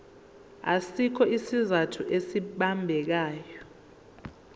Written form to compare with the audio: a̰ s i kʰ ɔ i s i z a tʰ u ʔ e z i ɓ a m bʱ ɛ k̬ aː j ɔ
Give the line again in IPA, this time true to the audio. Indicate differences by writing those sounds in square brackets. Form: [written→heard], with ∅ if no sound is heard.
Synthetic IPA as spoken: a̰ s i kʰ ɔ i s i z a tʰ u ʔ e [z→s] i ɓ a m bʱ ɛ k̬ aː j ɔ